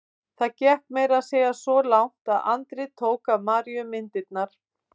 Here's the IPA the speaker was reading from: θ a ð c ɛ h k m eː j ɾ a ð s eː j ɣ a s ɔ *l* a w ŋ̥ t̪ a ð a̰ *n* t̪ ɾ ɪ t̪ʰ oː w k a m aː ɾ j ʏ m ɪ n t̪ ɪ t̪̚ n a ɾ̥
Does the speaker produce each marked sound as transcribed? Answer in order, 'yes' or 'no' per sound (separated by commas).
yes, yes